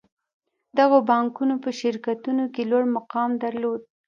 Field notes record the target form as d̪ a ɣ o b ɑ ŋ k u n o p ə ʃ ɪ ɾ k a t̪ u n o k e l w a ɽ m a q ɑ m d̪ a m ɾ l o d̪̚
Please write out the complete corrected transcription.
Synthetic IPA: d̪ a ɣ o b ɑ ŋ k u n o p ə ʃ ɪ ɾ k a t̪ u n o k e l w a ɽ m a q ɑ m d̪ a ɾ l o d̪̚

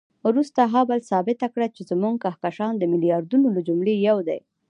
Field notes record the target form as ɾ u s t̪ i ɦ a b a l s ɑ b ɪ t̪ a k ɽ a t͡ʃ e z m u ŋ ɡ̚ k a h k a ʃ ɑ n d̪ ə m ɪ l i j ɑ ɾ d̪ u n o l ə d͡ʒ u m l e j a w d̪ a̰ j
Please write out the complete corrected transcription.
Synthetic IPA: ɾ u s t̪ a ɦ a b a l s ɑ b ɪ t̪ a k ɽ a t͡ʃ e z m u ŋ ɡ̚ k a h k a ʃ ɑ n d̪ ə m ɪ l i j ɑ ɾ d̪ u n o l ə d͡ʒ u m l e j a w d̪ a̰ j

